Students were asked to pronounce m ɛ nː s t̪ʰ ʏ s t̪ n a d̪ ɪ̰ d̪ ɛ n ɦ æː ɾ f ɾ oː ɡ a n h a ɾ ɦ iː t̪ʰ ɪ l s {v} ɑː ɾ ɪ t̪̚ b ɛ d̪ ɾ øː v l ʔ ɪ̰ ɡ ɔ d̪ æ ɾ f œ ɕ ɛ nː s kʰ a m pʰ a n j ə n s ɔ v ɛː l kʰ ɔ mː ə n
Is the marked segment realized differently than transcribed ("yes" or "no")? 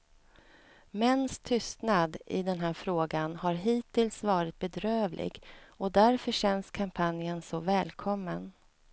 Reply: no